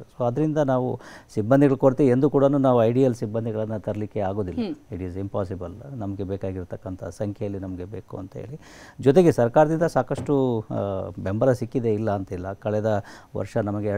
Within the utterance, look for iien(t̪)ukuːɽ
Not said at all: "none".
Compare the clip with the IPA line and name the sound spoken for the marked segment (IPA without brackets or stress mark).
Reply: d̪